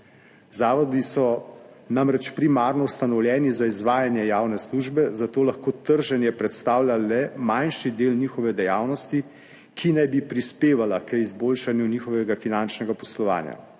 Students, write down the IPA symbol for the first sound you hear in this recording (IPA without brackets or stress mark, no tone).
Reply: z